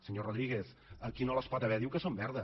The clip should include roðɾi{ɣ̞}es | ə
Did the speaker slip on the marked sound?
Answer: no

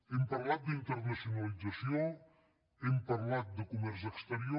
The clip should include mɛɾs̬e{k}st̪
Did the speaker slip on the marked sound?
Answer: no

